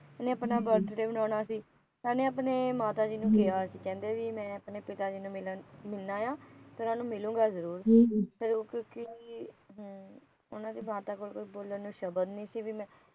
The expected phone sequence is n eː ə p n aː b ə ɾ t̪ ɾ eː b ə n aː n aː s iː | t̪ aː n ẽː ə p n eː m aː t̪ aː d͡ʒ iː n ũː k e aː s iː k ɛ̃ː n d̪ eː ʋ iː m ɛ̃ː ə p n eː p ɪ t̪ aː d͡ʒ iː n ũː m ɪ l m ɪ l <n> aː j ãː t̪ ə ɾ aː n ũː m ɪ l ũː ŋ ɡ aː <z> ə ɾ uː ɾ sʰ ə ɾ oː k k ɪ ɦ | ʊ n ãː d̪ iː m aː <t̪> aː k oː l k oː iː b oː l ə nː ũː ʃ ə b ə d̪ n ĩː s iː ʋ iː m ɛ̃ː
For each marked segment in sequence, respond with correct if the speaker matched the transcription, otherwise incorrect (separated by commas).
correct, correct, correct